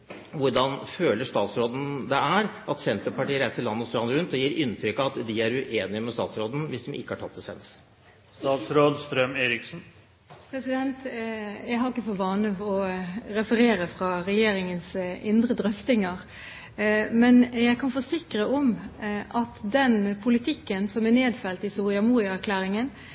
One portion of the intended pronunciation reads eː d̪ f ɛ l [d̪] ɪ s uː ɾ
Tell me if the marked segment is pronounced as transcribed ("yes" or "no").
no